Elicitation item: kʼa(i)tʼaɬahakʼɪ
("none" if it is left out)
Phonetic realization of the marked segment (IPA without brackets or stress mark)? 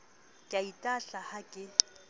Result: i